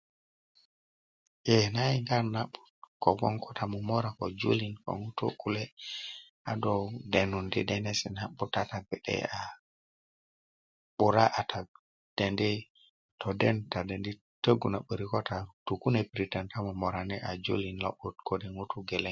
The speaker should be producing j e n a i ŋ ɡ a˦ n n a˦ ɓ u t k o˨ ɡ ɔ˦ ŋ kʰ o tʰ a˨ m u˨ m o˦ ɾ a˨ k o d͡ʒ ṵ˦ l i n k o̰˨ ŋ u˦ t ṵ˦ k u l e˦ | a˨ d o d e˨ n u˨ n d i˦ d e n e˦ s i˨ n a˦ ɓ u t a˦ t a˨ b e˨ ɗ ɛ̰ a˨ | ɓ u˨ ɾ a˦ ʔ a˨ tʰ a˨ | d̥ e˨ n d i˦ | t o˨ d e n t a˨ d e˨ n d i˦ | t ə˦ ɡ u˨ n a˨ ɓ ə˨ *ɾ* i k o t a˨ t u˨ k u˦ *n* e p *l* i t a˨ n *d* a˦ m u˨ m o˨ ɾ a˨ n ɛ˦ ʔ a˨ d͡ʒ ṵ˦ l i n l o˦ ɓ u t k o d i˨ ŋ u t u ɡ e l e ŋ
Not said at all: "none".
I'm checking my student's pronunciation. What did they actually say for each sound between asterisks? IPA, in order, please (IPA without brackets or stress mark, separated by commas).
ɾ, n, ɾ, t